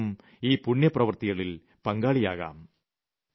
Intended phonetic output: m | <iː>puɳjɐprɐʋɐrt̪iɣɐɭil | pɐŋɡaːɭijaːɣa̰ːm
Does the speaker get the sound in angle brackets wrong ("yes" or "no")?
no